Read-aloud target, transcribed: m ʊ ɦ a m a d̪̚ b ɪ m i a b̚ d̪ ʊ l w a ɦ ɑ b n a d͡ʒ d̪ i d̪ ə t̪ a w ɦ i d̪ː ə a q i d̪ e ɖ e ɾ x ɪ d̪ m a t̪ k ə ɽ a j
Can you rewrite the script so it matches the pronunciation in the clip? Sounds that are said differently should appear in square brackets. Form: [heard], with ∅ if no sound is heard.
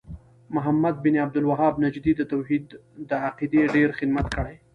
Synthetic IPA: m ʊ ɦ a m a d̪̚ b ɪ [n] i a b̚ d̪ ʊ l w a ɦ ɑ b n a d͡ʒ d̪ i d̪ ə t̪ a w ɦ i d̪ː ə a q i d̪ e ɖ e ɾ x ɪ d̪ m a t̪ k ə ɽ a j